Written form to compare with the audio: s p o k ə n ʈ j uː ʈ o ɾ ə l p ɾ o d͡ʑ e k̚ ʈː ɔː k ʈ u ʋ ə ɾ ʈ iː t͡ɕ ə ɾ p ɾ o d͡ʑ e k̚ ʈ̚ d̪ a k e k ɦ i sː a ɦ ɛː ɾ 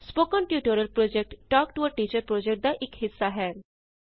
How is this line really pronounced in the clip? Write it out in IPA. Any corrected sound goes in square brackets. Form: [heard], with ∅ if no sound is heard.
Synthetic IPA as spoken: s p o k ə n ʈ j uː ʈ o ɾ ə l p ɾ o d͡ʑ e k̚ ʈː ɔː k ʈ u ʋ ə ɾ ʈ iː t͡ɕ ə ɾ p ɾ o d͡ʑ e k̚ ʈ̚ d̪ a [ʔ] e k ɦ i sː a ɦ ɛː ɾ